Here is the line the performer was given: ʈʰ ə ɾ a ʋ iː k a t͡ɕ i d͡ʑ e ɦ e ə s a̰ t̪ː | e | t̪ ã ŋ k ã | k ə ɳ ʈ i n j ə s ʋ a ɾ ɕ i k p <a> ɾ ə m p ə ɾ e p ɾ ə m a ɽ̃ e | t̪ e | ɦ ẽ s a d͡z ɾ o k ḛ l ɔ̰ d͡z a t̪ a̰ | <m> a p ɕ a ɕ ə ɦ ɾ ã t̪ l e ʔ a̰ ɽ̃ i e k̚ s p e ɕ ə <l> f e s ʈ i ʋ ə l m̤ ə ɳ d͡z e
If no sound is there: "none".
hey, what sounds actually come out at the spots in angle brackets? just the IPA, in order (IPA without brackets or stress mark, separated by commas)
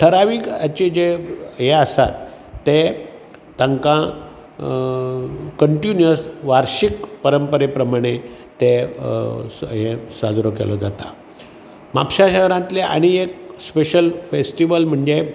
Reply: ə, m, l